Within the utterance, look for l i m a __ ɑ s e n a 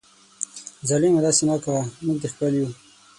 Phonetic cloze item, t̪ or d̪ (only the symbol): d̪